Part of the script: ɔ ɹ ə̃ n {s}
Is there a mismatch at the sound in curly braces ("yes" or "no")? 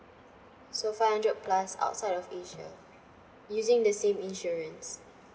no